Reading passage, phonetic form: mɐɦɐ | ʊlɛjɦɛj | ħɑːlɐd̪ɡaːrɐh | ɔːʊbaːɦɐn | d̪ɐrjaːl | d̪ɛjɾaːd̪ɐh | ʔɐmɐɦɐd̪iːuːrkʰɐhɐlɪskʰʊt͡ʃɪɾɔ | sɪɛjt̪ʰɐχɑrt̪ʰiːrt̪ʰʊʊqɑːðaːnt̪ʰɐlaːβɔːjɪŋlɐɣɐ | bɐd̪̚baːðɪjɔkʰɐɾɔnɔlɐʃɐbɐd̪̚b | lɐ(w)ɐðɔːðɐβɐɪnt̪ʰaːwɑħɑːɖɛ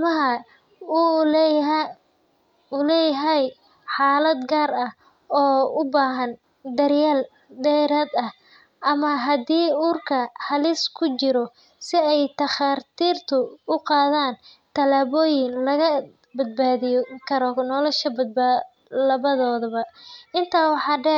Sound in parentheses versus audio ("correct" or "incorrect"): incorrect